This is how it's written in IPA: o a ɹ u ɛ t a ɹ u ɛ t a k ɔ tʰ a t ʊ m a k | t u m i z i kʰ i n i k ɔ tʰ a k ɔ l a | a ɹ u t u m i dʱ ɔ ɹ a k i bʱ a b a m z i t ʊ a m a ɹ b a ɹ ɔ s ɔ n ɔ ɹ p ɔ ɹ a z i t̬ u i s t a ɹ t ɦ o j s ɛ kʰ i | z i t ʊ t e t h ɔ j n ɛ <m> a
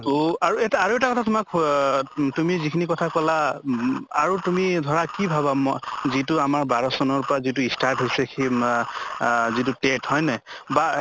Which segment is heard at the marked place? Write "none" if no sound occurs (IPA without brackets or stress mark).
b